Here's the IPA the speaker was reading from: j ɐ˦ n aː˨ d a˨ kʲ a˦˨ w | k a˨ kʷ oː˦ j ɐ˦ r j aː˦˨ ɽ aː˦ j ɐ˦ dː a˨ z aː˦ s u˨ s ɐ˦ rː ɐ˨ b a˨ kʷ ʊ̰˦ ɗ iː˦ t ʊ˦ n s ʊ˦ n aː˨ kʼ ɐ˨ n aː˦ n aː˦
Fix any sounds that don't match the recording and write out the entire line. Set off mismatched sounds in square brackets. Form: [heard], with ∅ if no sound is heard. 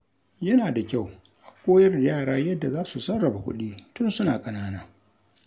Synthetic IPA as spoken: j ɐ˦ n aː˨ d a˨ kʲ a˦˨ w | [ʔ] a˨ kʷ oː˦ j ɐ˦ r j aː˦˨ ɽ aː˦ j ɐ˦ dː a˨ z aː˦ s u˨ s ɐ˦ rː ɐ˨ b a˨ kʷ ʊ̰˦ ɗ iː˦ t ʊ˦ n s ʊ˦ n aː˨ kʼ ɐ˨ n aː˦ n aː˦